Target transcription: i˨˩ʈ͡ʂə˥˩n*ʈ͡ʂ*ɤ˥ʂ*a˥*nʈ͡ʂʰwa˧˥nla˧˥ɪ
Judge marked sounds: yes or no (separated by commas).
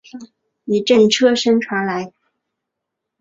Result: no, no